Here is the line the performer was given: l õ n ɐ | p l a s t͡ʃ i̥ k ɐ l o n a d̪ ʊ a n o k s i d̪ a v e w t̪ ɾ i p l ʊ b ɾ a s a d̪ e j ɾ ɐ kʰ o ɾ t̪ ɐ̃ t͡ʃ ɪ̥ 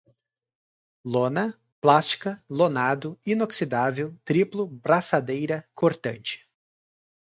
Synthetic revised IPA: l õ n ɐ | p l a s t͡ʃ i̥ k ɐ l o n a d̪ ʊ i n o k s i d̪ a v e w t̪ ɾ i p l ʊ b ɾ a s a d̪ e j ɾ ɐ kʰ o ɾ t̪ ɐ̃ t͡ʃ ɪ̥

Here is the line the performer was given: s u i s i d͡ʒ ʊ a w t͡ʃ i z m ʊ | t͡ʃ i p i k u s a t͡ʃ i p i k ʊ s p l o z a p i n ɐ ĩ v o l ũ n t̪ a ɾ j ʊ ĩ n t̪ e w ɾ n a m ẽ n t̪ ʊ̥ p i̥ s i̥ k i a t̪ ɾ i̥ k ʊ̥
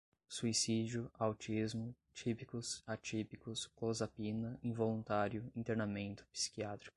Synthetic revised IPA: s u i s i d͡ʒ ʊ a w t͡ʃ i z m ʊ | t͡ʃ i p i k ʊ s a t͡ʃ i p i k ʊ s k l o z a p i n ɐ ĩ v o l ũ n t̪ a ɾ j ʊ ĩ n t̪ e ɾ n a m ẽ n t̪ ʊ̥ p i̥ s i̥ k i a t̪ ɾ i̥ k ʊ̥

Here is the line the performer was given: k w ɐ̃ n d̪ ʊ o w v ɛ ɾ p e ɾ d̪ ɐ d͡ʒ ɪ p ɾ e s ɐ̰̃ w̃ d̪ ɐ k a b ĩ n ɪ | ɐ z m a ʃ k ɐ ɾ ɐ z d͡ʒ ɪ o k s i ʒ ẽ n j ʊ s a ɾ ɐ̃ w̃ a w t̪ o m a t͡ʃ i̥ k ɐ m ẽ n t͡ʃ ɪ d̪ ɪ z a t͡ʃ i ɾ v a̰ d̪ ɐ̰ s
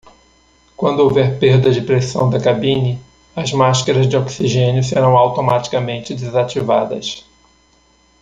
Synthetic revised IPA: k w ɐ̃ n d̪ ʊ o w v ɛ ɾ p e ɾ d̪ ɐ d͡ʒ ɪ p ɾ e s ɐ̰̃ w̃ d̪ ɐ k a b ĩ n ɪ | ɐ z m a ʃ k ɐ ɾ ɐ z d͡ʒ ɪ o k s i ʒ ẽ n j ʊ s e ɾ ɐ̃ w̃ a w t̪ o m a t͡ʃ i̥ k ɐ m ẽ n t͡ʃ ɪ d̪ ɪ z a t͡ʃ i v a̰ d̪ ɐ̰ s

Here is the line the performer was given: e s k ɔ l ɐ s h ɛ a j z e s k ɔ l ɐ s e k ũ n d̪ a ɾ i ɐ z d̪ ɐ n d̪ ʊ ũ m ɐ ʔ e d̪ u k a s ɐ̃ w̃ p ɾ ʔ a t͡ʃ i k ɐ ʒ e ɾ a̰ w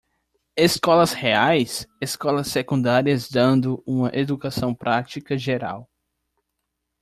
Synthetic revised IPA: e s k ɔ l ɐ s h e a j s e s k ɔ l ɐ s e k ũ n d̪ a ɾ i ɐ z d̪ ɐ̃ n d̪ ʊ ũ m ɐ ʔ e d̪ u k a s ɐ̃ w̃ p ɾ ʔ a t͡ʃ i k ɐ ʒ e ɾ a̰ w

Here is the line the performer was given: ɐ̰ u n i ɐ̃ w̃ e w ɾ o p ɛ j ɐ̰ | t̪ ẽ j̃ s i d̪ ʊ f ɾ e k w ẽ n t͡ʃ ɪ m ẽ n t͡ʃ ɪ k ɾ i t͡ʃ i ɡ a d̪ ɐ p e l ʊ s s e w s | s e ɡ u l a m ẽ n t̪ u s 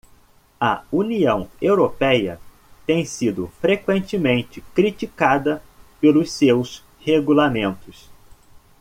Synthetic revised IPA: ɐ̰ u n i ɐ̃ w̃ e w ɾ o p ɛ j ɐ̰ | t̪ ẽ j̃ s i d̪ ʊ f ɾ e k w ẽ n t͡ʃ ɪ m ẽ n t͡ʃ ɪ k ɾ i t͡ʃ i k a d̪ ɐ p e l ʊ s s e w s | h e ɡ u l a m ẽ n t̪ ʊ s

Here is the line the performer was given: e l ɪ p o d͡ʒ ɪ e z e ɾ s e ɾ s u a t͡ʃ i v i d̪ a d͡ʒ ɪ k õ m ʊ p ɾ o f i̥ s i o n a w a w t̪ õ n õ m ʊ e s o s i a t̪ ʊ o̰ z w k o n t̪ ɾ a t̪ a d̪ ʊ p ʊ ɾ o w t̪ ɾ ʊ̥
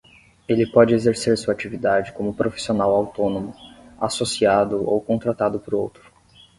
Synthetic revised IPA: e l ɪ p ɔ d͡ʒ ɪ e z e ɾ s e ɾ s u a t͡ʃ i v i d̪ a d͡ʒ ɪ k õ m ʊ p ɾ o f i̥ s i o n a w a w t̪ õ n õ m ʊ a s o s i a d̪ ʊ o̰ w k õ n t̪ ɾ a t̪ a d̪ ʊ p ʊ ɾ o w t̪ ɾ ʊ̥

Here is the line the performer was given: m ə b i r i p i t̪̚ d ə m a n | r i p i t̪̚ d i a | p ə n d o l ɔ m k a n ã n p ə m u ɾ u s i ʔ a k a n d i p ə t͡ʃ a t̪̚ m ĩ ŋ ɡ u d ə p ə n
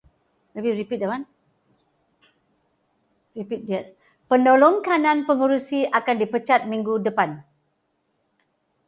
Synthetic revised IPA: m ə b i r i p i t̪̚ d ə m a n | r i p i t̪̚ d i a | p ə n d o l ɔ ŋ k a n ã n p ə ŋ u ɾ u s i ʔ a k a n d i p ə t͡ʃ a t̪̚ m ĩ ŋ ɡ u d ə p a n

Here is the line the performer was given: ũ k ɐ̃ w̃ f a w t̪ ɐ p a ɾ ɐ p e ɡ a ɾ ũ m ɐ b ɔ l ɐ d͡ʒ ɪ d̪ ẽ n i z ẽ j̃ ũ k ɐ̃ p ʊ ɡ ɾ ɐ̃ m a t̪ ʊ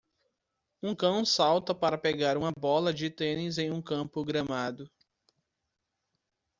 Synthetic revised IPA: ũ k ɐ̃ w̃ s a w t̪ ɐ p a ɾ ɐ p e ɡ a ɾ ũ m ɐ b ɔ l ɐ d͡ʒ ɪ t̪ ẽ n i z ẽ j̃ ũ k ɐ̃ p ʊ ɡ ɾ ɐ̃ m a d̪ ʊ

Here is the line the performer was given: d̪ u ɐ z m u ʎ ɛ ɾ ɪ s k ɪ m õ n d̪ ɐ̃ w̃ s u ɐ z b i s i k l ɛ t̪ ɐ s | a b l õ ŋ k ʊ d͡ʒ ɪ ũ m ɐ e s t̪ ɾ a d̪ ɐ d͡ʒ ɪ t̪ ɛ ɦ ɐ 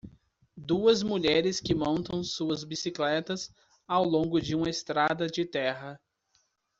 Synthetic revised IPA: d̪ u ɐ z m u ʎ ɛ ɾ ɪ s k ɪ m õ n t̪ ɐ̃ w̃ s u ɐ z b i s i k l ɛ t̪ ɐ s | a w l õ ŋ ɡ ʊ d͡ʒ ɪ ũ m ɐ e s t̪ ɾ a d̪ ɐ d͡ʒ ɪ t̪ ɛ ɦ ɐ

